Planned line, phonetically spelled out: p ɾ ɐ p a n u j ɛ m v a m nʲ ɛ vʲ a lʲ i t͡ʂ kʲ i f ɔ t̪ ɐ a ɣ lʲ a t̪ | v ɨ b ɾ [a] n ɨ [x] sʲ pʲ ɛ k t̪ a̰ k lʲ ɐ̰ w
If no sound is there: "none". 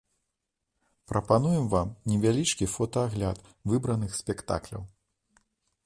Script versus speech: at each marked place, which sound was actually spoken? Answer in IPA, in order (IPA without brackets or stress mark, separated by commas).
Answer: ɐ, x